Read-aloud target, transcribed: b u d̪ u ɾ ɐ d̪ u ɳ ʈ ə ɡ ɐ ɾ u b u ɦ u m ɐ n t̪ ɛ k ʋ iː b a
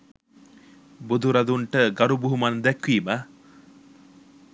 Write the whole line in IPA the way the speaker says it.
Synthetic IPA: b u d̪ u ɾ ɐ d̪ u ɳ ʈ ə ɡ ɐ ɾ u b u ɦ u m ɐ n d̪ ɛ k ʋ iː m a